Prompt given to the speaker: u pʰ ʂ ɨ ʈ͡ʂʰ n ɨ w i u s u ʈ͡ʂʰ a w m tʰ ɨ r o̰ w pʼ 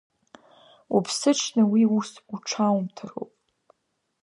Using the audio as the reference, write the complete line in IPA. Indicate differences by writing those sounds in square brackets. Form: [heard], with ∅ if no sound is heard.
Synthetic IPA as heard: u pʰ [s] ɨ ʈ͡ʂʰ n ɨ w i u s u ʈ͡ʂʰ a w m tʰ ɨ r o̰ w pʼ